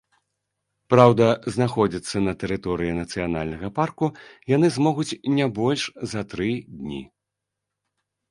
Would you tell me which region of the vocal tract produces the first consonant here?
lips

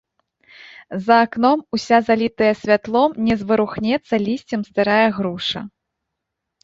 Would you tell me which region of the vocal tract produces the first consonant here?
tongue tip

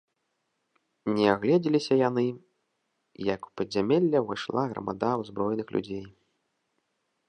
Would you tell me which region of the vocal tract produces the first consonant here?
tongue tip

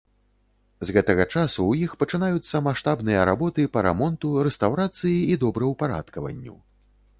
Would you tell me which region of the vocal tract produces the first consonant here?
tongue tip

